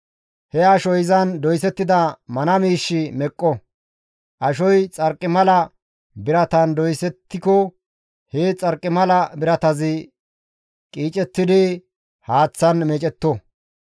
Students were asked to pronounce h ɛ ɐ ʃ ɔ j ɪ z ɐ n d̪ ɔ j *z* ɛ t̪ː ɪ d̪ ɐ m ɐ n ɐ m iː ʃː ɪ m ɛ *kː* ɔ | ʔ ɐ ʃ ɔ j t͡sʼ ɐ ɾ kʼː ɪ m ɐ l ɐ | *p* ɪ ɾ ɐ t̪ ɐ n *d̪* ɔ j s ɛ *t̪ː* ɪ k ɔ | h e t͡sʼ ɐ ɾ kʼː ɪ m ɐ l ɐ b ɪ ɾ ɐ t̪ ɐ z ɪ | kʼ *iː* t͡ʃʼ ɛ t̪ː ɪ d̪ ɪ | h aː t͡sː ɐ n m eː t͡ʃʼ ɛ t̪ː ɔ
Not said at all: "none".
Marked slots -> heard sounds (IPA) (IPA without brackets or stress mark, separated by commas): s, kʼː, b, d̪, t̪ː, iː